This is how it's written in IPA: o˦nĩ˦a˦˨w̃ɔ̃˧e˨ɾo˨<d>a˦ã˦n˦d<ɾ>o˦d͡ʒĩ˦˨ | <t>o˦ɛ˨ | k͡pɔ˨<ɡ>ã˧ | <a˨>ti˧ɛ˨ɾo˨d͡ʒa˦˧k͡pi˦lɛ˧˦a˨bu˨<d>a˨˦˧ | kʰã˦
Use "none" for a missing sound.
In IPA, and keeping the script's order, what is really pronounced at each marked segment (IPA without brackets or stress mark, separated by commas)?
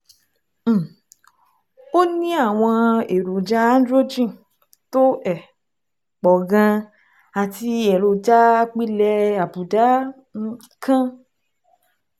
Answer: d͡ʒ, ɾ, t, ɡ, a˨, d